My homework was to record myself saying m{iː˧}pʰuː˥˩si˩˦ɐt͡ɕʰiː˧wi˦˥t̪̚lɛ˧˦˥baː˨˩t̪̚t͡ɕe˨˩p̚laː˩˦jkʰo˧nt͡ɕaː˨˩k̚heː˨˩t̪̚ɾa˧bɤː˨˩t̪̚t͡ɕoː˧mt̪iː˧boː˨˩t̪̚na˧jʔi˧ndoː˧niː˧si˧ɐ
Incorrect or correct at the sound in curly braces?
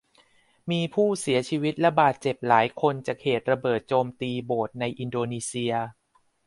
correct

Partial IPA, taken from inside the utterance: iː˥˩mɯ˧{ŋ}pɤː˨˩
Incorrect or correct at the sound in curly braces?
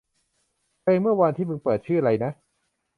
correct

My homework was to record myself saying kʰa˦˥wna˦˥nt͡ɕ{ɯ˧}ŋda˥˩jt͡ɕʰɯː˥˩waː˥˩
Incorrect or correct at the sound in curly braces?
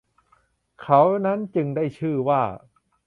correct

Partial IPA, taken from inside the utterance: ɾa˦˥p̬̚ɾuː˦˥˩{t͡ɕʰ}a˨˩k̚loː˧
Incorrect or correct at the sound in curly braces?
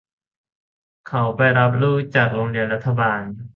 incorrect: t͡ɕ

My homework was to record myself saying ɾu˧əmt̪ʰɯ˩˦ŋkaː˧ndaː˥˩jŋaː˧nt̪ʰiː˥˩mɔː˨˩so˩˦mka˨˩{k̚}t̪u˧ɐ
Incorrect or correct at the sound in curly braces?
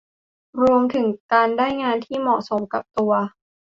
incorrect: p̚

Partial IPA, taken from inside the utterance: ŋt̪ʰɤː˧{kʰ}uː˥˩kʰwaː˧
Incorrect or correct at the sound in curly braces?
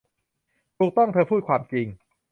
incorrect: pʰ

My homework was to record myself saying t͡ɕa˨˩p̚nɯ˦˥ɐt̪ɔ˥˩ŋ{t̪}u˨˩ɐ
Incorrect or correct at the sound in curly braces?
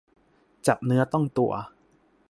correct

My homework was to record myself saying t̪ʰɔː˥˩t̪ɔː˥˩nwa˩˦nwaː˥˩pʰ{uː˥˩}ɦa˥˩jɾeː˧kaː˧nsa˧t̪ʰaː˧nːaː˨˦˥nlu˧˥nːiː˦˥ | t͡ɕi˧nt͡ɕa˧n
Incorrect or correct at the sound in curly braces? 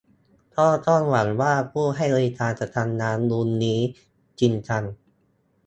correct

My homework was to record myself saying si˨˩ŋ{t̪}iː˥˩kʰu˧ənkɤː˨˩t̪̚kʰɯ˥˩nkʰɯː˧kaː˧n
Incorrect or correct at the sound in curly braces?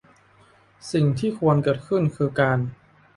incorrect: t̪ʰ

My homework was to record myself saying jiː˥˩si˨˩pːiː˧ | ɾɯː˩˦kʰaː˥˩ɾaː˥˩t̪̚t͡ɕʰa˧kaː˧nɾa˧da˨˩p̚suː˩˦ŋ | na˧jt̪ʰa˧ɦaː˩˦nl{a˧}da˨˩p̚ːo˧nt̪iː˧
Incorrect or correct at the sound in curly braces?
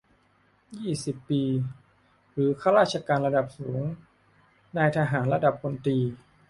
correct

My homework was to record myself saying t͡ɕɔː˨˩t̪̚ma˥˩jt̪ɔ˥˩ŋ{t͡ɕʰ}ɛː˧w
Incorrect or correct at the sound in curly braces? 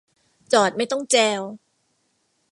incorrect: t͡ɕ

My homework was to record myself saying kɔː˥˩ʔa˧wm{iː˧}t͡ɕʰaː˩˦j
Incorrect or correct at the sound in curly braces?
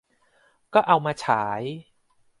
incorrect: aː˧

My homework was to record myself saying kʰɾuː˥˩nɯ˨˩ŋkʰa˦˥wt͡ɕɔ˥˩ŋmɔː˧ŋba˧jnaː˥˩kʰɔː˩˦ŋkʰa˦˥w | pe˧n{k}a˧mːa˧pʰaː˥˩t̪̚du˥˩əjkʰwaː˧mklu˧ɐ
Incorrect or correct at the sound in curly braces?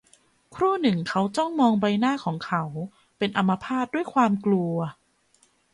incorrect: ʔ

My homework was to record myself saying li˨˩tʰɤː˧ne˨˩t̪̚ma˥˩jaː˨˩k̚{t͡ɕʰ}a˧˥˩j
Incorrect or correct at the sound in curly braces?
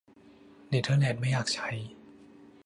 correct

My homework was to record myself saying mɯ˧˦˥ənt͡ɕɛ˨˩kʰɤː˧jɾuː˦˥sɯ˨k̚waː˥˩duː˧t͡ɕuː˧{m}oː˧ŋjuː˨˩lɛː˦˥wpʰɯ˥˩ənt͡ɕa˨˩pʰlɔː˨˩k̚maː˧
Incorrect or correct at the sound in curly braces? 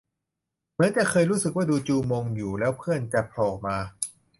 correct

